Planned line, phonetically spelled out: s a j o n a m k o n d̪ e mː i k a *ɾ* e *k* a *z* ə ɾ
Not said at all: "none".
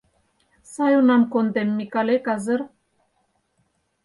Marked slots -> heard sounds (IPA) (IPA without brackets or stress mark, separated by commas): l, k, z